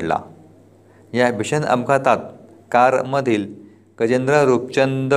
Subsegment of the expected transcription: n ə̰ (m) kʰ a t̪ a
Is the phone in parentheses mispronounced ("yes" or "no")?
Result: no